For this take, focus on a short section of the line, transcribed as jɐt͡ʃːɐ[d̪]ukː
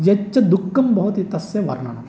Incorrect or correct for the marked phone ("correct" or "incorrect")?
correct